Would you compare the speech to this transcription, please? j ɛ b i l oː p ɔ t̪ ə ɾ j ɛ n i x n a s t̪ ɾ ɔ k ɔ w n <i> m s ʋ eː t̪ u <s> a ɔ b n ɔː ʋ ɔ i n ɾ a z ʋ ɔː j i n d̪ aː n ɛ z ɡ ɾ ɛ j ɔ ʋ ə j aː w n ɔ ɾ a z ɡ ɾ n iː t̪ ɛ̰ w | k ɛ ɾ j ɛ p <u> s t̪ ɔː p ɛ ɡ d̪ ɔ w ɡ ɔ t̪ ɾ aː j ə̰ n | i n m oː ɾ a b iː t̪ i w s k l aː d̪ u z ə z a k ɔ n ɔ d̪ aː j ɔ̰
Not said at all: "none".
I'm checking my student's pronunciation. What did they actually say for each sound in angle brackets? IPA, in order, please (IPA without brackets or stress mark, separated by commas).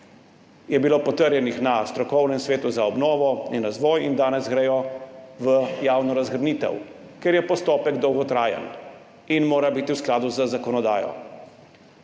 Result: ɛ, z, ɔ